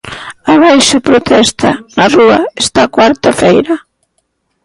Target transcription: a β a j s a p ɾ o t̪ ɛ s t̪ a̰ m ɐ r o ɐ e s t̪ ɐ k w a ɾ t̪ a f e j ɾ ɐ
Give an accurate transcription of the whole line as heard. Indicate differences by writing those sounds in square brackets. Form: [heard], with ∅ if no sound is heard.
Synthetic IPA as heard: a β a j [ʃ] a p ɾ o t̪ ɛ s t̪ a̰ [n] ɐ r [u] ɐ e s t̪ [a] k w a ɾ t̪ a f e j ɾ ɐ